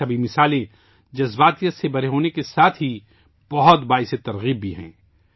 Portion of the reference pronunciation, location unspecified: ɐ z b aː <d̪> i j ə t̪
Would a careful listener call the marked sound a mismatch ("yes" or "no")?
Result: yes